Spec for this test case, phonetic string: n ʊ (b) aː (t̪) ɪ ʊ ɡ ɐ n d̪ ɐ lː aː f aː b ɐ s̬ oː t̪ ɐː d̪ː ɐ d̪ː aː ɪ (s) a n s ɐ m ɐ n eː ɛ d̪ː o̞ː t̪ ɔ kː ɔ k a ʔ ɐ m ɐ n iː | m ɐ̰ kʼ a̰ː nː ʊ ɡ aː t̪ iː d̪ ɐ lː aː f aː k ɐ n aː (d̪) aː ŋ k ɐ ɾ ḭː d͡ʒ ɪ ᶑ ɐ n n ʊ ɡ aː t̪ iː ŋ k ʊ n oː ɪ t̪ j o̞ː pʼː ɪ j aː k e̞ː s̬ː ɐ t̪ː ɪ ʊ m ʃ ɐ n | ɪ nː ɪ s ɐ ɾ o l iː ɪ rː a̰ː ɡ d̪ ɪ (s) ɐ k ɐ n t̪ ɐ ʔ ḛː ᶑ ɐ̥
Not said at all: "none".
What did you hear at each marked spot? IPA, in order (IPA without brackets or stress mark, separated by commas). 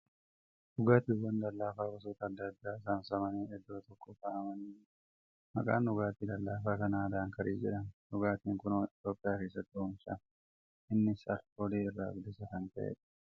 ɡ, t̪, s, d̪, s